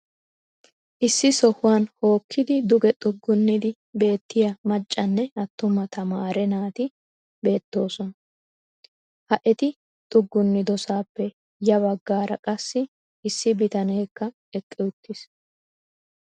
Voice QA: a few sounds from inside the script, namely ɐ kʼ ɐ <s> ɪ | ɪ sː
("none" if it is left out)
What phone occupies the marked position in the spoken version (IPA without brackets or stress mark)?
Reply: sː